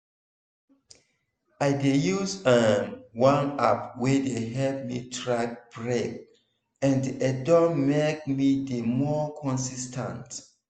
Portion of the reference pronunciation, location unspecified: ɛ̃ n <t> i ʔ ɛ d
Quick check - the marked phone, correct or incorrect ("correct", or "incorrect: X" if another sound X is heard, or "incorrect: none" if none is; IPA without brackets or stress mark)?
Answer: incorrect: d